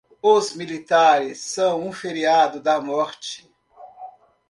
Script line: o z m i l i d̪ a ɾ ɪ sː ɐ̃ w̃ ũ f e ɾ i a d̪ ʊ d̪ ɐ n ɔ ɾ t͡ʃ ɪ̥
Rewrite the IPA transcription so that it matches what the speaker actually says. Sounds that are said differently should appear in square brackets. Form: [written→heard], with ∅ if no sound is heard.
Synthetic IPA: o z m i l i [d̪→t̪] a ɾ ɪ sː ɐ̃ w̃ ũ f e ɾ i a d̪ ʊ d̪ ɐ [n→m] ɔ ɾ t͡ʃ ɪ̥